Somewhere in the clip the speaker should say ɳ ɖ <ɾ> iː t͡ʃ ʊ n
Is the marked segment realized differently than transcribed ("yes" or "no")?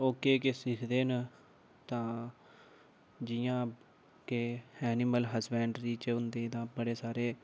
no